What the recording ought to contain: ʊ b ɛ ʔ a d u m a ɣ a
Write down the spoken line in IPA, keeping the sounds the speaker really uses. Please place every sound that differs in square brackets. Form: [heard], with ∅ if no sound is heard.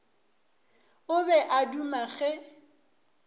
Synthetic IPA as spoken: ʊ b ɛ ʔ a d u m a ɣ [ɛ]